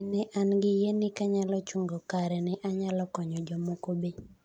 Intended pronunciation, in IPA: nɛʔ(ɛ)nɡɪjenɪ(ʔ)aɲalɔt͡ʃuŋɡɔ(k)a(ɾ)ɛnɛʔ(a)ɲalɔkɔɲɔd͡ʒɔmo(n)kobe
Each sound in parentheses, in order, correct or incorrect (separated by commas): incorrect, incorrect, correct, correct, correct, incorrect